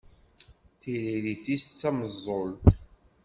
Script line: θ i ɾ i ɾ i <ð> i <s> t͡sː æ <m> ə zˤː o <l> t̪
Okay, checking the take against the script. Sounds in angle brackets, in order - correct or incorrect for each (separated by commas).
incorrect, correct, correct, correct